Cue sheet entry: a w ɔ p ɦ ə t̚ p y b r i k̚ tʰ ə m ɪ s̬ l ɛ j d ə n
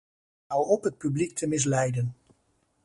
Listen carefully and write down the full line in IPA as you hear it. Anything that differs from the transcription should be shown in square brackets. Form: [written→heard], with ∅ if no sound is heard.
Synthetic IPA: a w ɔ p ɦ ə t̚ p y b [r→l] i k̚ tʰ ə m ɪ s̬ l ɛ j d ə n